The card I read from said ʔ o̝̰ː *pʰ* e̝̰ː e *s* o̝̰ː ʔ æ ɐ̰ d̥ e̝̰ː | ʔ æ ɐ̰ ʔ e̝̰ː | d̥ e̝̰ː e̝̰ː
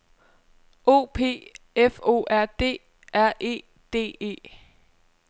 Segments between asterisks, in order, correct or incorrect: correct, incorrect: f

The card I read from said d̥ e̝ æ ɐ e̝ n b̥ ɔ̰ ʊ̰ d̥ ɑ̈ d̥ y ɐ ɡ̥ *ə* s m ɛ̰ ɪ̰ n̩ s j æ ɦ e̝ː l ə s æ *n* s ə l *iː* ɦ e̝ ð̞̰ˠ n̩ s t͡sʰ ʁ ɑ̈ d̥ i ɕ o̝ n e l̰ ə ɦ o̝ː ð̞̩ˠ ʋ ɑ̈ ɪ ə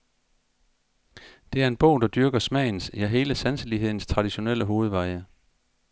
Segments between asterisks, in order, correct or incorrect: incorrect: ɐ, correct, incorrect: i

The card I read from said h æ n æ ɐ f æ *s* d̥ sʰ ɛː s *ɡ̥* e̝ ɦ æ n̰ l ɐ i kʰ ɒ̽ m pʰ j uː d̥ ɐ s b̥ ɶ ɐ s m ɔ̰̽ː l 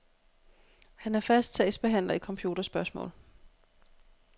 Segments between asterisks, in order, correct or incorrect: correct, incorrect: b̥

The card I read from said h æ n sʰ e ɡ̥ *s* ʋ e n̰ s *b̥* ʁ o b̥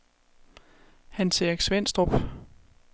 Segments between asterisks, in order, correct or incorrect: correct, incorrect: d̥

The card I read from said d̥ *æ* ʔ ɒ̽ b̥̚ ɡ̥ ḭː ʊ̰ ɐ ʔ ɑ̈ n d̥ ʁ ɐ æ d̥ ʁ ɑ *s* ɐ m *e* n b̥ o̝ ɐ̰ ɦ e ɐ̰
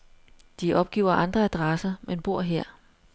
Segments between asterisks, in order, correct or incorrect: incorrect: i, correct, correct

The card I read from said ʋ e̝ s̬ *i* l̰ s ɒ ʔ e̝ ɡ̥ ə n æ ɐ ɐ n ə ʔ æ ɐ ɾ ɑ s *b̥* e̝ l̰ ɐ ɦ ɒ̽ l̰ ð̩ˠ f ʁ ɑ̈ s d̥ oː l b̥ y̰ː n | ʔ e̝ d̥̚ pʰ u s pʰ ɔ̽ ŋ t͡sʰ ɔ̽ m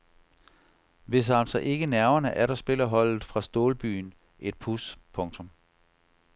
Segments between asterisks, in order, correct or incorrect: incorrect: æ, correct

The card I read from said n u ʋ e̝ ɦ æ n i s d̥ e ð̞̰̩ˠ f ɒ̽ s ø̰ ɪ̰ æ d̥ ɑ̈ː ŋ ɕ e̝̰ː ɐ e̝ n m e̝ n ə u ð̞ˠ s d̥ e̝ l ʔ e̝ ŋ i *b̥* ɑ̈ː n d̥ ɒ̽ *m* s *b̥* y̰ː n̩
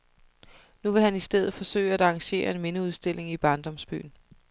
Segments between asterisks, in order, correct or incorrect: correct, correct, correct

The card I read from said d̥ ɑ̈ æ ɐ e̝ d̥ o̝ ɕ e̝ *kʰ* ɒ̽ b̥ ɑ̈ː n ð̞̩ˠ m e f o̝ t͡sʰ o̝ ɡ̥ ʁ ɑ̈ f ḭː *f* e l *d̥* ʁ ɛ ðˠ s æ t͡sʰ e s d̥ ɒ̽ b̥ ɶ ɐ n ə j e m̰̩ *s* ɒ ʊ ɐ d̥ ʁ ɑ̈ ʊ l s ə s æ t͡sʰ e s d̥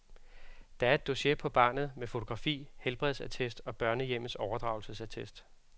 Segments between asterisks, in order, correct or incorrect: incorrect: pʰ, incorrect: h, incorrect: b̥, correct

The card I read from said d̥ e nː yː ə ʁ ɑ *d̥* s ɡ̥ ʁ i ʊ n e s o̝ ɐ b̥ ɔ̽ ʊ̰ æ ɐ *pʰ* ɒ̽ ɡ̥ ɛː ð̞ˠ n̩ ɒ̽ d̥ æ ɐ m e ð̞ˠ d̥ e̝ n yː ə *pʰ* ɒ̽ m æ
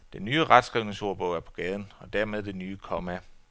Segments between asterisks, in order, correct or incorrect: correct, correct, incorrect: kʰ

